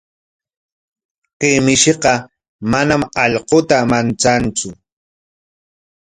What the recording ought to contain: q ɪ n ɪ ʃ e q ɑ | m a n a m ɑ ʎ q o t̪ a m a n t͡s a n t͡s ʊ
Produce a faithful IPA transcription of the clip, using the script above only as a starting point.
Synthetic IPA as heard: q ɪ m ɪ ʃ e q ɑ | m a n a m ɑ ʎ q o t̪ a m a n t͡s a n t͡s ʊ